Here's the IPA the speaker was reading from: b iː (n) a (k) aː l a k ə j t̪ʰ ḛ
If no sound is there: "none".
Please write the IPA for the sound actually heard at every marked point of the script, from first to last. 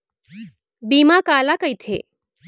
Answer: m, k

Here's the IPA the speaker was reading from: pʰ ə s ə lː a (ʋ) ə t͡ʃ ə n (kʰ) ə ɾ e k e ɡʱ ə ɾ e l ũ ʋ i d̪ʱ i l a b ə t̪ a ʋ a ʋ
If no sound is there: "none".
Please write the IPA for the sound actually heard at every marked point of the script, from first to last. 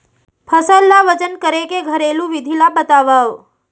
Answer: ʋ, k

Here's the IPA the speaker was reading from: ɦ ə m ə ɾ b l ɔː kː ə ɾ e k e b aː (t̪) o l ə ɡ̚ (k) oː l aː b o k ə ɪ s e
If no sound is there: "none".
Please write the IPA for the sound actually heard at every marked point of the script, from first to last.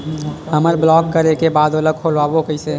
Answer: d̪, kʰ

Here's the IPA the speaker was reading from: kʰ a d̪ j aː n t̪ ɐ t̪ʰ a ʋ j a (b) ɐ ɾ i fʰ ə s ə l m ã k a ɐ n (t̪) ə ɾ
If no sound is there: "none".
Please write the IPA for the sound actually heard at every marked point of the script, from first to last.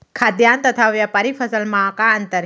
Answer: p, t̪

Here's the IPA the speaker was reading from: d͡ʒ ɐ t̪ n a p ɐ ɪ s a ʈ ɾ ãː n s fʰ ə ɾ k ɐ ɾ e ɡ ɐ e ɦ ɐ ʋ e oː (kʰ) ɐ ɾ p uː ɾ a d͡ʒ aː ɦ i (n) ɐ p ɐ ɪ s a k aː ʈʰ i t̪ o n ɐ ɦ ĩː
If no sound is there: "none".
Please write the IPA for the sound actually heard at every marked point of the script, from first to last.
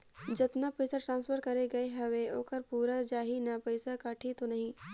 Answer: k, n

